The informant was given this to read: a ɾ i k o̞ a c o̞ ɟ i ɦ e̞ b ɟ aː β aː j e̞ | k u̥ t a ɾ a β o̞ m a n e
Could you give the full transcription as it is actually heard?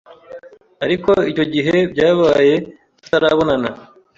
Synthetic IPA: a ɾ i k o̞ i c o̞ ɟ i ɦ e̞ b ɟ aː β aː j e̞ | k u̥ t a ɾ a β o̞ n a n a

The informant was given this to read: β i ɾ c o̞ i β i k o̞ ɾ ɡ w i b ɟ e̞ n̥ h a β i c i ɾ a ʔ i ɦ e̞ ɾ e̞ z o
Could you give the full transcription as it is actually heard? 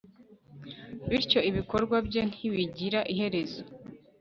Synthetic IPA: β i ɾ c o̞ i β i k o̞ ɾ ɡ w a b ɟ e̞ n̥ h i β i ɟ i ɾ a ʔ i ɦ e̞ ɾ e̞ z o

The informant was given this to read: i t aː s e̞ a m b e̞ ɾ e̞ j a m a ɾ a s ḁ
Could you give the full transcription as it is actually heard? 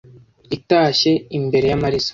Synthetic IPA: i t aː ʃ e̞ i m b e̞ ɾ e̞ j a m a ɾ i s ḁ

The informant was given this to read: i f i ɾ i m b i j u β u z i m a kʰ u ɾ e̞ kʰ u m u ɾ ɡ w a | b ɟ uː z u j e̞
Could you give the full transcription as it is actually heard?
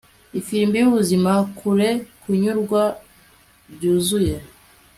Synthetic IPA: i f i ɾ i m b i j u β u z i m a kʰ u ɾ e̞ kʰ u ɲ u ɾ ɡ w a | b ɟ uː z u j e̞

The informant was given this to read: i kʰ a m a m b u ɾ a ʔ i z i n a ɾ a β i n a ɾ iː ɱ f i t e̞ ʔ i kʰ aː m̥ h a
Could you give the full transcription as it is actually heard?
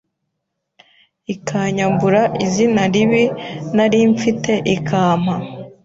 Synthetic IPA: i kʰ a ɲ a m b u ɾ a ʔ i z i n a ɾ i β i n a ɾ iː ɱ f i t e̞ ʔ i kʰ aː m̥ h a

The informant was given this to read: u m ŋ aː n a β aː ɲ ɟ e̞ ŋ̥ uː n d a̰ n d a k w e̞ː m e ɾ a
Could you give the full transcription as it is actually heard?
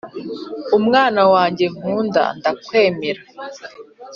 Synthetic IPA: u m ŋ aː n a w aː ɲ ɟ e̞ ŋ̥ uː n d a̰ n d a k w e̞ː m e ɾ a

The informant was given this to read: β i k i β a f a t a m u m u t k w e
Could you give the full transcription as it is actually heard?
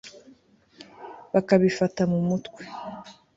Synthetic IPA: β a k a β i f a t a m u m u t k w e

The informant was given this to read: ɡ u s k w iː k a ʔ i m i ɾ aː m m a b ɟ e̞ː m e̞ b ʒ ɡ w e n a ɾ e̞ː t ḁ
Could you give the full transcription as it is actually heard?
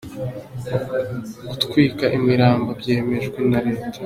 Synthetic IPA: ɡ u t k w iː k a ʔ i m i ɾ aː m b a b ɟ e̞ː m e̞ ʒ ɡ w e n a ɾ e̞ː t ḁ

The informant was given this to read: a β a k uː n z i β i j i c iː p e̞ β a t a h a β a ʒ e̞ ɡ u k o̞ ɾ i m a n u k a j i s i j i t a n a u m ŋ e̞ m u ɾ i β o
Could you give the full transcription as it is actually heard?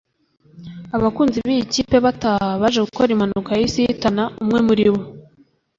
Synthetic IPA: a β a k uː n z i β i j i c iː p e̞ β a t a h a β a ʒ e̞ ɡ u k o̞ ɾ i m a n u k a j i s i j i t a n a u m ŋ e̞ m u ɾ i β o

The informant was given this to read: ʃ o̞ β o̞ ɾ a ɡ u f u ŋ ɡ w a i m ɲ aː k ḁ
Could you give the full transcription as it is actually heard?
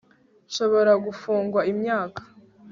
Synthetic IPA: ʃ o̞ β o̞ ɾ a ɡ u f uː ŋ ɡ w a i m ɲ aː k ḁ

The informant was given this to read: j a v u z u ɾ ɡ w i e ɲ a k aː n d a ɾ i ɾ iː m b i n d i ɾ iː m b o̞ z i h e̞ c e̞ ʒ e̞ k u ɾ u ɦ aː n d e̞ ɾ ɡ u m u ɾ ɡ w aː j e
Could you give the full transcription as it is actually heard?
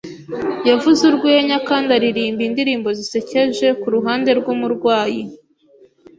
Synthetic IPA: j a v u z u ɾ ɡ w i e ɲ a k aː n d a ɾ i ɾ iː m b i n d i ɾ iː m b o̞ z i s e̞ c e̞ ʒ e̞ k u ɾ u ɦ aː n d e̞ ɾ ɡ u m u ɾ ɡ w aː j i

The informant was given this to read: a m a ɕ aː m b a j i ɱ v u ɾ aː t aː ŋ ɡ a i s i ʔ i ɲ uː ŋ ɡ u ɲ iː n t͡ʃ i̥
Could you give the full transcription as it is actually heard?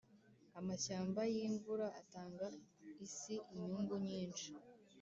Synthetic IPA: a m a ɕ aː m b a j i ɱ v u ɾ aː t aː ŋ ɡ a i s i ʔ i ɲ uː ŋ ɡ u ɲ iː n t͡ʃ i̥

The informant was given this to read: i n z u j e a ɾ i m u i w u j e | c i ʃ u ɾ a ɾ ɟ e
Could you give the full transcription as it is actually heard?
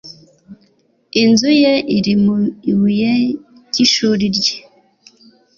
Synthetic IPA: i n z u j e i ɾ i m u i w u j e | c i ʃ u ɾ i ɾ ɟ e

